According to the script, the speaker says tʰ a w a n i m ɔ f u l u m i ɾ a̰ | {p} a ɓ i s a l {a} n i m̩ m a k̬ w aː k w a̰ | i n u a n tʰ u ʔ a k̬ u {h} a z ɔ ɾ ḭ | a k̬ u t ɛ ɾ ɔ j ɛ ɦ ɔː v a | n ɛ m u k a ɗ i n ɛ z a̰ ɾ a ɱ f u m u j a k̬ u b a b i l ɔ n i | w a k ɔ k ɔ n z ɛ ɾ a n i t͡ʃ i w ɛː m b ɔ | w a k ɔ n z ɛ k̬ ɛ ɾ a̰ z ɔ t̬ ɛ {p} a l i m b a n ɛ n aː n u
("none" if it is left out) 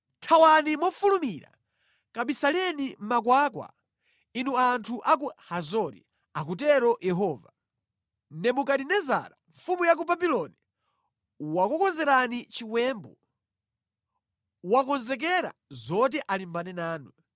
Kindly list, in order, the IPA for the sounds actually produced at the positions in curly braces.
k, ɛ, h, ʔ

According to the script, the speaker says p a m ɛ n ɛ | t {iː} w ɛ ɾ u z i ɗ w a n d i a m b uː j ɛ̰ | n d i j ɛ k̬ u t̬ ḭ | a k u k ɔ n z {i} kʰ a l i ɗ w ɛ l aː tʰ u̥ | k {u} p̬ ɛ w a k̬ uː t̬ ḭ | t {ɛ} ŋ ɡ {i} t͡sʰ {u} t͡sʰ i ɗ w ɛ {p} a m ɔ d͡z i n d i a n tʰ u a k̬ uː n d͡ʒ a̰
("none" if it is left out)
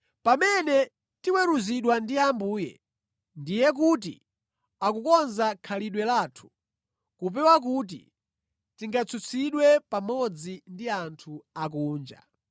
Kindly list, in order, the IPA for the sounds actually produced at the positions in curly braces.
i, a, u, i, a, u, p

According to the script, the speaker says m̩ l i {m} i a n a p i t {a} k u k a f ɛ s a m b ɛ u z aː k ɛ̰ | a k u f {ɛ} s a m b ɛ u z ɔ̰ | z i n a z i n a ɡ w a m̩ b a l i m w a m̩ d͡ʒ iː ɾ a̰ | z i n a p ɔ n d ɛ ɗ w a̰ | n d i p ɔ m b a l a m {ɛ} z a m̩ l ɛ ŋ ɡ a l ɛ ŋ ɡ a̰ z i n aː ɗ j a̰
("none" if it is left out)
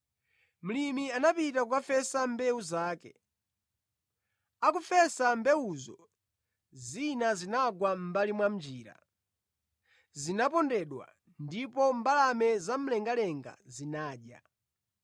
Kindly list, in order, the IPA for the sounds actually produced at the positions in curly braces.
m, a, ɛ, ɛ

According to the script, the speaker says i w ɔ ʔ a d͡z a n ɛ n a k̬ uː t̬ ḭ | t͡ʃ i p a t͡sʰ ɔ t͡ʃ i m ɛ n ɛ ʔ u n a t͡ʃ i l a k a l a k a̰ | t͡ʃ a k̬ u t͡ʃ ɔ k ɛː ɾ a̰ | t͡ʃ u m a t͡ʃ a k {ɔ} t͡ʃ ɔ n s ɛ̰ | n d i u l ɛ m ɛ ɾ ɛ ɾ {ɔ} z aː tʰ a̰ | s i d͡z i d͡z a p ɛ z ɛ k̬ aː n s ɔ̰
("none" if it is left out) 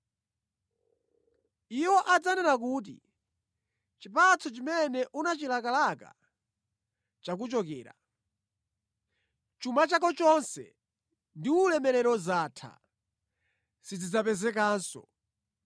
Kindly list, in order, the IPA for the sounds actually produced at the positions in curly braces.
ɔ, ɔ

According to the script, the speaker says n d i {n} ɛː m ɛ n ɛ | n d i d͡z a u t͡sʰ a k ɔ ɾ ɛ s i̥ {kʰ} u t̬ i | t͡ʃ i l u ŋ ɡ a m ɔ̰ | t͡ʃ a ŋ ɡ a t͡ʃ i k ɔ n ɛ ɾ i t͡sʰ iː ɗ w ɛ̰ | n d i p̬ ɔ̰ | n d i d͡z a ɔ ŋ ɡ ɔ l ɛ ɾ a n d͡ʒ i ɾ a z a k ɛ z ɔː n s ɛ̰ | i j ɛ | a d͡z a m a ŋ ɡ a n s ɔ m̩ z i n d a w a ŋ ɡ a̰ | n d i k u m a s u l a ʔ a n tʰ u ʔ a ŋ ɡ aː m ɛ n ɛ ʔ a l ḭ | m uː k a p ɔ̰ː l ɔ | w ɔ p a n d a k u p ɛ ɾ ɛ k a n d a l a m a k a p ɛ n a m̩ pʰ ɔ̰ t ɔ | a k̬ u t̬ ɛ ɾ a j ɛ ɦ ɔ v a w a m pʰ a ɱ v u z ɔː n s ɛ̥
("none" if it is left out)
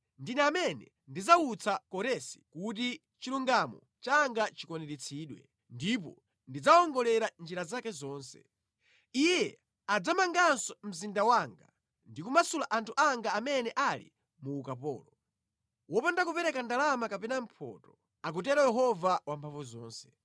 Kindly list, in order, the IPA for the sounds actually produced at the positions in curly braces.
n, k

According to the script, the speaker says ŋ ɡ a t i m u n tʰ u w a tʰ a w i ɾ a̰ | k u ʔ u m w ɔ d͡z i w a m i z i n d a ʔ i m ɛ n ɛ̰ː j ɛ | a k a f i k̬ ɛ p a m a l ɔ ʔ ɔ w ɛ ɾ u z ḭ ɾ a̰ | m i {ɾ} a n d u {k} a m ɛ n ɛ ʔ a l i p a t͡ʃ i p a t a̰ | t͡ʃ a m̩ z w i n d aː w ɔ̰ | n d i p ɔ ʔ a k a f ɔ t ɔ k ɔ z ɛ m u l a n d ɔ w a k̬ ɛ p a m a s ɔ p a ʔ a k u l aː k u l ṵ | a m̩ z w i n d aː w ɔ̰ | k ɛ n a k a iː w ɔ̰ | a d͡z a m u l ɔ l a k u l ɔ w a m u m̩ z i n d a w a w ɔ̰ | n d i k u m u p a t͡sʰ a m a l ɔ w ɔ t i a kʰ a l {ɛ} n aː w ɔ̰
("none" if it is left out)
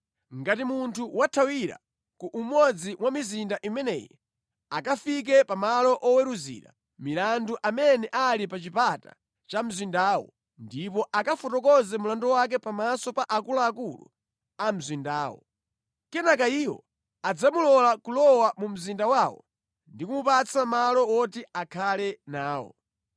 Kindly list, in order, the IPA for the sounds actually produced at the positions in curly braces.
l, ʔ, ɛ

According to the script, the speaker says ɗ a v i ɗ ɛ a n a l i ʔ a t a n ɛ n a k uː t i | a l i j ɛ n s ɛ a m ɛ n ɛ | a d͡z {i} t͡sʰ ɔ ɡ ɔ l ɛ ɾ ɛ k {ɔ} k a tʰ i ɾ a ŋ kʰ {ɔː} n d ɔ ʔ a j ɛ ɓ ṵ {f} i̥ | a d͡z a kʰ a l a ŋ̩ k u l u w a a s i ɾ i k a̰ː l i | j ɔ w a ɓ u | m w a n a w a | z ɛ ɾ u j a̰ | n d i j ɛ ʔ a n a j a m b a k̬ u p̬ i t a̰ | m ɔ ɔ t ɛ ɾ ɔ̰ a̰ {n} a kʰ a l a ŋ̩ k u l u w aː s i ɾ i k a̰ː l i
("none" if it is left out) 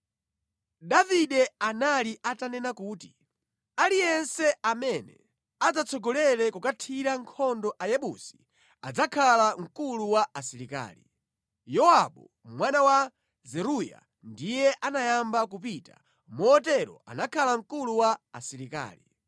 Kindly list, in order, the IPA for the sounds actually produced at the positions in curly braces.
a, u, ɔ, s, n

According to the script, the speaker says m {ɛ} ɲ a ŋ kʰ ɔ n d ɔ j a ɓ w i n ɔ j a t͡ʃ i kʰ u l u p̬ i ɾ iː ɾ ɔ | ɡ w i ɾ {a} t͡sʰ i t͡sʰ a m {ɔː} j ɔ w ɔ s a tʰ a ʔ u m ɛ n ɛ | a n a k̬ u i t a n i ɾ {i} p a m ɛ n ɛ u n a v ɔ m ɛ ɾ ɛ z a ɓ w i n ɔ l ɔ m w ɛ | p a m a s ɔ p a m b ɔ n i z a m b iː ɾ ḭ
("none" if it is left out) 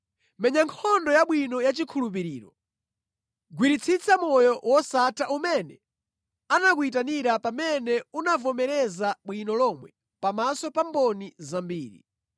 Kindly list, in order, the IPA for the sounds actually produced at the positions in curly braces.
ɛ, i, ɔ, a

